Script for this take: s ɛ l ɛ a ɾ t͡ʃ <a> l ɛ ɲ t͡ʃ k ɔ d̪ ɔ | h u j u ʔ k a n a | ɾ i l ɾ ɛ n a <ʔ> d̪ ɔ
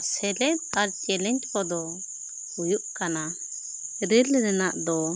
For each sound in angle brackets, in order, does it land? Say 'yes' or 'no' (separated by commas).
no, yes